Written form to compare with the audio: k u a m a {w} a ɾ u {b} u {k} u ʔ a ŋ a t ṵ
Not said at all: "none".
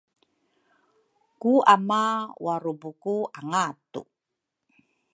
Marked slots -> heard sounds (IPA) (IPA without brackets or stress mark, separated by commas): w, b, k